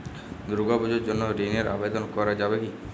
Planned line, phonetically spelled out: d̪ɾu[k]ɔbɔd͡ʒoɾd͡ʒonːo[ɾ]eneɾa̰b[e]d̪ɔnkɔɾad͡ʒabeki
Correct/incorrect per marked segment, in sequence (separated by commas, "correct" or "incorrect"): incorrect, correct, correct